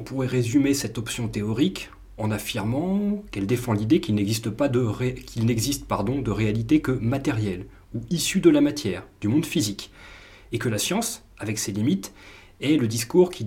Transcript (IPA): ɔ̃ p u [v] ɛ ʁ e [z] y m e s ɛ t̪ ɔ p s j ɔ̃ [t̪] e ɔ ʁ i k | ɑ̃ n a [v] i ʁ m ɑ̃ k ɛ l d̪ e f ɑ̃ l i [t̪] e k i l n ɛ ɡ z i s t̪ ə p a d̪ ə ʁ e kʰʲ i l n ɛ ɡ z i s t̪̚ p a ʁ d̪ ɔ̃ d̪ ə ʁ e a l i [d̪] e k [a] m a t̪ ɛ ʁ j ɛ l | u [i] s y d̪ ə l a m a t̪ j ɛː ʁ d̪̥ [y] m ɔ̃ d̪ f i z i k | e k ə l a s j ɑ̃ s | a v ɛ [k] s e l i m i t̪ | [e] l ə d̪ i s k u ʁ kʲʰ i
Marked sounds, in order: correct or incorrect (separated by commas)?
incorrect, correct, correct, incorrect, incorrect, incorrect, incorrect, correct, correct, correct, incorrect